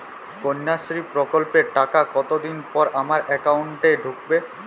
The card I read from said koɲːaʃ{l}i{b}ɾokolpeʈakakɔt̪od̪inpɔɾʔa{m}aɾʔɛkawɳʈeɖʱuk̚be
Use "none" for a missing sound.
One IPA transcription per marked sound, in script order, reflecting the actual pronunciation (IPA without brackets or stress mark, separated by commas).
ɾ, p, m